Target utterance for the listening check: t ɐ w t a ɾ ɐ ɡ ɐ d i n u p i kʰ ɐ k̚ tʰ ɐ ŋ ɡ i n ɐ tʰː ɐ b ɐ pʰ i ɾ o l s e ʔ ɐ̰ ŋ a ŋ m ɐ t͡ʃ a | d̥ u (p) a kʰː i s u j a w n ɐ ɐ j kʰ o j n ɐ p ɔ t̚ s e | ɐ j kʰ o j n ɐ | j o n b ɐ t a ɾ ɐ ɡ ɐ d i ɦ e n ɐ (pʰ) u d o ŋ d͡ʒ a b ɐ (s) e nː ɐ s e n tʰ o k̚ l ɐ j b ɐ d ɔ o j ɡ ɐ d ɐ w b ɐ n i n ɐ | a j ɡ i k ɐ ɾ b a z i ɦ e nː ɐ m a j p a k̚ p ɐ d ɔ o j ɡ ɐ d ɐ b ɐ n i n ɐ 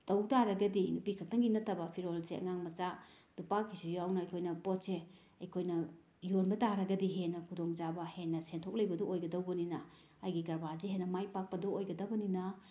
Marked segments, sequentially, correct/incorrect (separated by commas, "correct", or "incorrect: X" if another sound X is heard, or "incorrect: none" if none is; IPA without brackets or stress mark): correct, incorrect: kʰ, incorrect: h